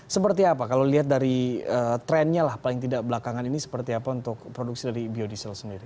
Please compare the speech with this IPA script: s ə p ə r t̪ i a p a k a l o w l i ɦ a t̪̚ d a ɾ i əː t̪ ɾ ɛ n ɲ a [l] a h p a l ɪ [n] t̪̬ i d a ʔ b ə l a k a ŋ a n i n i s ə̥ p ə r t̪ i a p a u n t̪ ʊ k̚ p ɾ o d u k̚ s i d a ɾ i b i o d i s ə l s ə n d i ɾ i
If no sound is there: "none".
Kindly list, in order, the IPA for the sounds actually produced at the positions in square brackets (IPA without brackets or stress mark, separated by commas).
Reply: l, ŋ